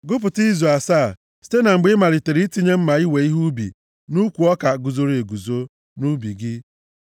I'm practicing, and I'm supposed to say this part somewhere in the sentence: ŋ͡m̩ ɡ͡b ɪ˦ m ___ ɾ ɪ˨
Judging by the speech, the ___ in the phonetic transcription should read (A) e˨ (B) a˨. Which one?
B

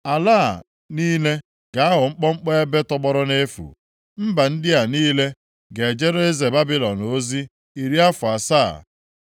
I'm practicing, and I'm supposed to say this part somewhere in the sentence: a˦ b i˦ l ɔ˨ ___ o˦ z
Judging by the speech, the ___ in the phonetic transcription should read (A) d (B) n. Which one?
B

